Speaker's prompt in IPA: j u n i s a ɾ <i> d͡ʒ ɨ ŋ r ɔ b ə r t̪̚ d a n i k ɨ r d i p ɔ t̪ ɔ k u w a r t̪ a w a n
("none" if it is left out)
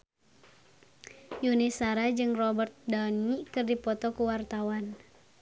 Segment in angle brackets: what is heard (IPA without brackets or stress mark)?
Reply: a